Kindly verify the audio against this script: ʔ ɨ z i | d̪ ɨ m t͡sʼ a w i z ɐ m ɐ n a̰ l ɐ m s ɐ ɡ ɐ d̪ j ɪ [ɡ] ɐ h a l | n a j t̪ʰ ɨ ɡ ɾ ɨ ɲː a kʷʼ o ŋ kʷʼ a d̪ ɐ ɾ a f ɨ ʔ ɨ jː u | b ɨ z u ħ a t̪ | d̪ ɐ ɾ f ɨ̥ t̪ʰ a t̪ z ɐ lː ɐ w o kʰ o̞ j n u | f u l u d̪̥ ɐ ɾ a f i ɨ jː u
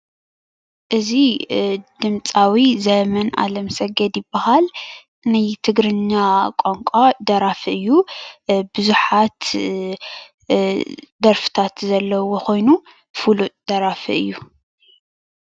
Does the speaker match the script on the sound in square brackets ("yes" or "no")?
no